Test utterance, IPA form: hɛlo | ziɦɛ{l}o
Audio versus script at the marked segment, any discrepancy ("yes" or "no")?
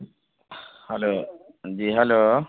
no